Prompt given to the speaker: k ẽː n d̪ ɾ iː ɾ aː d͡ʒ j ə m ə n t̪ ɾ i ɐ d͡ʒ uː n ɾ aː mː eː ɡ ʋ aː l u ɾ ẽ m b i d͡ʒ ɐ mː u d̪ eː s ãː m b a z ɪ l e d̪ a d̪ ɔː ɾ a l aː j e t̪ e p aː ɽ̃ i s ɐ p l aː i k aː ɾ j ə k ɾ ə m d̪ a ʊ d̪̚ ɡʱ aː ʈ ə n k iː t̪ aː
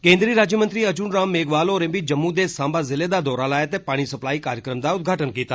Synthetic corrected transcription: k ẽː n d̪ ɾ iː ɾ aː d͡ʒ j ə m ə n t̪ ɾ i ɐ d͡ʒ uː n ɾ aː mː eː ɡ ʋ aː l o ɾ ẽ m b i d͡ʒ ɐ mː u d̪ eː s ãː m b a z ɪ l e d̪ a d̪ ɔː ɾ a l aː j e t̪ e p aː ɽ̃ i s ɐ p l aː i k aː ɾ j ə k ɾ ə m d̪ a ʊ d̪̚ ɡʱ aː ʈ ə n k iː t̪ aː